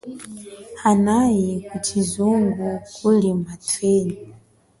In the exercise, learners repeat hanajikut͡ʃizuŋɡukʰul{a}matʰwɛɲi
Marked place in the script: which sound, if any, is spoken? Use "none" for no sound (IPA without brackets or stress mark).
i